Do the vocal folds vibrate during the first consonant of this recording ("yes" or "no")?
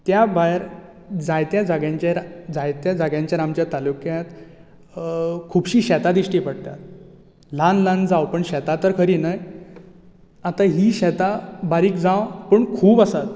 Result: no